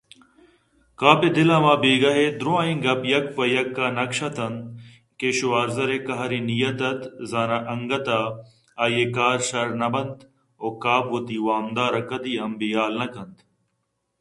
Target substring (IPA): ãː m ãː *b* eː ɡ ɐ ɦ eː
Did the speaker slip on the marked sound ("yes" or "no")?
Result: no